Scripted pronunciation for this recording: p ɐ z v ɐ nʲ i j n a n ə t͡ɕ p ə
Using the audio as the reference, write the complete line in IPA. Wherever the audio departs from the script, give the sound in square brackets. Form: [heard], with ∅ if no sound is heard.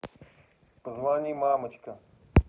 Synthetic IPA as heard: p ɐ z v [a] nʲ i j [m] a [m] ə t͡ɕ [k] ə